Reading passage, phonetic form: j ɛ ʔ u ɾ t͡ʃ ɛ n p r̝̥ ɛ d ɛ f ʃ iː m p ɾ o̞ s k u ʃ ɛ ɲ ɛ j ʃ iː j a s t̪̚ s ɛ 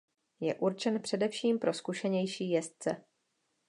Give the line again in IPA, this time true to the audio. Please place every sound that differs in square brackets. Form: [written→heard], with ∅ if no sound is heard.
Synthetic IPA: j ɛ ʔ u ɾ t͡ʃ ɛ n p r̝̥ ɛ d ɛ f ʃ iː m p ɾ o̞ s k u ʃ ɛ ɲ ɛ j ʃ iː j [a→ɛ] s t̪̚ [s→t͡s] ɛ